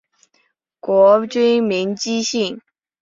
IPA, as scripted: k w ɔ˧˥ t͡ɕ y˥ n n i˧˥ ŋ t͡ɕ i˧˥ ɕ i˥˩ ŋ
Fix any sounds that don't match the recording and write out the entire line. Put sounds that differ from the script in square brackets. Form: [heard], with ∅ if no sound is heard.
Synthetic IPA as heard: k w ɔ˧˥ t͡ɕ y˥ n [m] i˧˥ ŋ t͡ɕ [i˥] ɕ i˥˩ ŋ

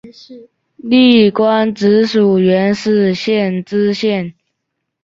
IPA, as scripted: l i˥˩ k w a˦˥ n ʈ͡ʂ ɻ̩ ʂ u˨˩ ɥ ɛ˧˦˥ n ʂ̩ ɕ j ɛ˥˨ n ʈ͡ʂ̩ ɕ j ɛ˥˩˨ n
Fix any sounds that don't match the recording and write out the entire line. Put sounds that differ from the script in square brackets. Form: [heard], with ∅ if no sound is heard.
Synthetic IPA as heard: l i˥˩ k w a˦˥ n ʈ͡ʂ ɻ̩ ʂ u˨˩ ɥ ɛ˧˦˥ n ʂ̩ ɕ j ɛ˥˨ n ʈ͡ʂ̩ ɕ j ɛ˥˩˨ n

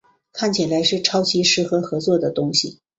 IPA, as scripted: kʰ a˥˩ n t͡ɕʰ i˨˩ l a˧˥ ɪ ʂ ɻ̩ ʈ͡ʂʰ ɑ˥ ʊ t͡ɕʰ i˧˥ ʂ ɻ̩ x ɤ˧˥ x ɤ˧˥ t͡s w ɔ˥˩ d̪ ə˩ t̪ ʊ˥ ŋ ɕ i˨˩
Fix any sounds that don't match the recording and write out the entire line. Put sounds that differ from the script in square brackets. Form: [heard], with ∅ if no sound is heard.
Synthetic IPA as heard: kʰ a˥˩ n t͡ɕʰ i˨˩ l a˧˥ ɪ ʂ ɻ̩ ʈ͡ʂʰ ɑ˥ ʊ t͡ɕʰ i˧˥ ʂ ɻ̩ x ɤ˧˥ x ɤ˧˥ t͡s w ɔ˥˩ d̪ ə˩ t̪ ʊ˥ ŋ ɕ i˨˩

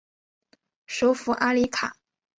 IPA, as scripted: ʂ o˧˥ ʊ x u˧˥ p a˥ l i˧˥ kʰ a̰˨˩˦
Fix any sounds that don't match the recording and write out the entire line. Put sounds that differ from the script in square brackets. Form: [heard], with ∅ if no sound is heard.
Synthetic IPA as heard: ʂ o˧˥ ʊ [f] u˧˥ [ʔ] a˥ l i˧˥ kʰ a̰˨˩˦

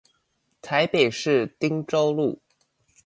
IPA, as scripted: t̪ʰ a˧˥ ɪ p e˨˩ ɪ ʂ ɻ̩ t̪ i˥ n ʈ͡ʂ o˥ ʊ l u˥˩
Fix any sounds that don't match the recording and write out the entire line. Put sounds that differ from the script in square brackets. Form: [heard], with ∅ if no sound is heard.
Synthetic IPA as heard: t̪ʰ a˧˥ ɪ p e˨˩ ɪ ʂ ɻ̩ t̪ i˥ [ŋ] ʈ͡ʂ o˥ ʊ l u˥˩

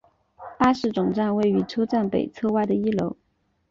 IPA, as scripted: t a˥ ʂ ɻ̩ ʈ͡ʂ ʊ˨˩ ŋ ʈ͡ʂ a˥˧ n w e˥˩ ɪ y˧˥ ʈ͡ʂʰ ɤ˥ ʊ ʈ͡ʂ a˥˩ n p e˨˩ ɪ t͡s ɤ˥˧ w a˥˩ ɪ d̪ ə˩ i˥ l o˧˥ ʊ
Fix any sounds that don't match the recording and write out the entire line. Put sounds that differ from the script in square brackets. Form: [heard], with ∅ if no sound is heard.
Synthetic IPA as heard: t a˥ ʂ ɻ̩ ʈ͡ʂ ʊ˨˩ ŋ ʈ͡ʂ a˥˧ n w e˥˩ ɪ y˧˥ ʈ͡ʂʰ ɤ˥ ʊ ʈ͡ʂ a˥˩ n p e˨˩ ɪ [t͡sʰ] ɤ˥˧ w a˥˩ ɪ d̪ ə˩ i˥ l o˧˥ ʊ

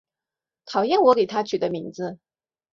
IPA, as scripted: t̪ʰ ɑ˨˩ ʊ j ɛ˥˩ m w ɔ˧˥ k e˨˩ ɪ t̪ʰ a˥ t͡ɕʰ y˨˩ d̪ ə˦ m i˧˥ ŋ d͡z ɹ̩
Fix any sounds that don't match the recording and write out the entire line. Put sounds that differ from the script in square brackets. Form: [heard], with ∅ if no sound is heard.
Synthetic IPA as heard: t̪ʰ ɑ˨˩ ʊ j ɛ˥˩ [n] w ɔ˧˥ k e˨˩ ɪ t̪ʰ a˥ t͡ɕʰ y˨˩ d̪ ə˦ m i˧˥ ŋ d͡z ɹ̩

